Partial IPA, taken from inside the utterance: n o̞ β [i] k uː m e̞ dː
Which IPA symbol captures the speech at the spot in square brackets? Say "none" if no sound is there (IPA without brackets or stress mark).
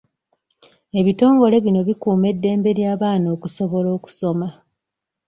i